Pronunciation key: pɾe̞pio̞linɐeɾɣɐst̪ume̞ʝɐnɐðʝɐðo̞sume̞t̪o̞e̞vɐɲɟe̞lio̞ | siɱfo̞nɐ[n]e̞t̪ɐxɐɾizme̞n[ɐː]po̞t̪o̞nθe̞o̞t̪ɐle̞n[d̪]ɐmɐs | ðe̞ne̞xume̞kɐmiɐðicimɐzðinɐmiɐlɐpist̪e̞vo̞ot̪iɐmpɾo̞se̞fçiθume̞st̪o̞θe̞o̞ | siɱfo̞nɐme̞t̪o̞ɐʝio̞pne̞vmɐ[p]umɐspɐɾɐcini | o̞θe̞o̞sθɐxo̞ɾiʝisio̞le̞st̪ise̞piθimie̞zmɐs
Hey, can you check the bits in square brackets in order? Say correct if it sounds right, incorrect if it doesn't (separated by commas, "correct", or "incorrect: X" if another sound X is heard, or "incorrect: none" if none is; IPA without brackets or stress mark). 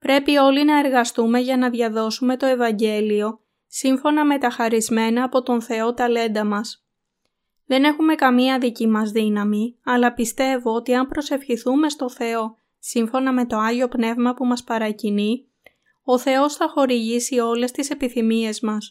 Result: incorrect: m, correct, correct, correct